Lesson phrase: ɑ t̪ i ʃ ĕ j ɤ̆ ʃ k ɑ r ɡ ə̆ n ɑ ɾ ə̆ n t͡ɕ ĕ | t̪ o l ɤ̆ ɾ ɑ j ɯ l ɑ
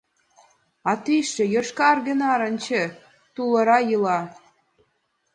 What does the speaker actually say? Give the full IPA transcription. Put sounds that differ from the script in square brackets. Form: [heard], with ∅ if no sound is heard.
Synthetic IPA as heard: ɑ t̪ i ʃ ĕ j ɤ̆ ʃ k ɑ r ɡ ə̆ n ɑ ɾ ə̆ n t͡ɕ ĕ | t̪ [u] l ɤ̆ ɾ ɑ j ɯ l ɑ

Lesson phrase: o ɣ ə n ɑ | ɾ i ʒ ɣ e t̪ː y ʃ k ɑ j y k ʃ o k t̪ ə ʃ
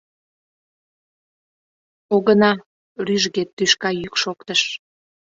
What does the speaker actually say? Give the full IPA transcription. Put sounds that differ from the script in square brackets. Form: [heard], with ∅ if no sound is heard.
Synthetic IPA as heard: o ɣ ə n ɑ | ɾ [y] ʒ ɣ e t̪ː y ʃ k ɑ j y k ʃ o k t̪ ə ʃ

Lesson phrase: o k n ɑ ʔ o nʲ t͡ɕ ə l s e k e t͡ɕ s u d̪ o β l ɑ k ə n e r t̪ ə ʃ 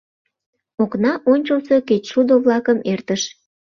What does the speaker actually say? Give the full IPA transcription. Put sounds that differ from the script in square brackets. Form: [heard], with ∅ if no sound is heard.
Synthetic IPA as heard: o k n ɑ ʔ o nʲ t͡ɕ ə l s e k e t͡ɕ [ʃ] u d̪ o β l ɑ k ə [m] e r t̪ ə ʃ

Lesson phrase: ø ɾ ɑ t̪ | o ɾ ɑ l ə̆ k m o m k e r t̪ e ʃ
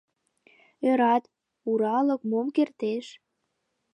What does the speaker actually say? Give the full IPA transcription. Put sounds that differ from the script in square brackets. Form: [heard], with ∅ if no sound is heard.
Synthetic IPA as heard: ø ɾ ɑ t̪ | [u] ɾ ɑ l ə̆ k m o m k e r t̪ e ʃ

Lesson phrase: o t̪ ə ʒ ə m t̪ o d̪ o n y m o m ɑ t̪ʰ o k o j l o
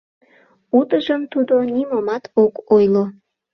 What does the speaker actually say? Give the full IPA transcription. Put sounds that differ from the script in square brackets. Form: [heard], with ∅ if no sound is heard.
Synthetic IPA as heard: [u] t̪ ə ʒ ə m t̪ [u] d̪ o n [i] m o m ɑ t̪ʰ o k o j l o

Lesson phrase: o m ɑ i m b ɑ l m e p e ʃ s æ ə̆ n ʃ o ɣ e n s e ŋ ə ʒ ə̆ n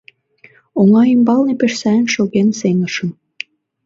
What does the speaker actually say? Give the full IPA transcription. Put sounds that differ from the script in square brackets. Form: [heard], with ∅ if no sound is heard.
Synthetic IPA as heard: o [ŋ] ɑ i m b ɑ l [n] e p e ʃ s æ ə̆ n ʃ o ɣ e n s e ŋ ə [ʃ] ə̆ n

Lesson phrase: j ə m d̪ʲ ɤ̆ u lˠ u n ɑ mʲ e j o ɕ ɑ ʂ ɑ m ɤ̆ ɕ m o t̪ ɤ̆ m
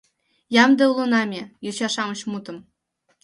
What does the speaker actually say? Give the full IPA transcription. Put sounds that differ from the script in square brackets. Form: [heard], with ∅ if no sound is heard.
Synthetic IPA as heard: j [ɑ] m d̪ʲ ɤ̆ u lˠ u n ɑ mʲ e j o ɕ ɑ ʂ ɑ m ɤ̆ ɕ m [u] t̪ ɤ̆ m

